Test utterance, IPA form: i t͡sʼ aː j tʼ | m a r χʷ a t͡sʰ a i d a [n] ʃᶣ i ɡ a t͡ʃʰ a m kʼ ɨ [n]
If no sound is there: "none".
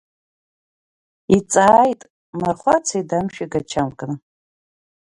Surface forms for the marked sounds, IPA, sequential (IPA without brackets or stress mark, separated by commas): m, n